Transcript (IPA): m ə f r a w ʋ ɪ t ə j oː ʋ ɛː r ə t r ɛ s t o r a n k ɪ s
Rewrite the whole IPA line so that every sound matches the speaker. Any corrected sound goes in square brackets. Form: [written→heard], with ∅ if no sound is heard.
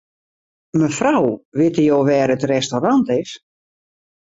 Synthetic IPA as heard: m ə f r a w ʋ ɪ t ə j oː ʋ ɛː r ə t r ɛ s t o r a n [k→t] ɪ s